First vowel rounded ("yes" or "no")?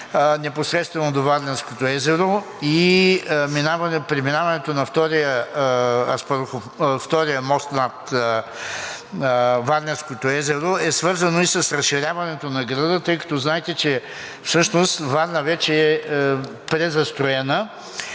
no